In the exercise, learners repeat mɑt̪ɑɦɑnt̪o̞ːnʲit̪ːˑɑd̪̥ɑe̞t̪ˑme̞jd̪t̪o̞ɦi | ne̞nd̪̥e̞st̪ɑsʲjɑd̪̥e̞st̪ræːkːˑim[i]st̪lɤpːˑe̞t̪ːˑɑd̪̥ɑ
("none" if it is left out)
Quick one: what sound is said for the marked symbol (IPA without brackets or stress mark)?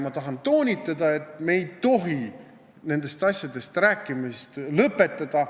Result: i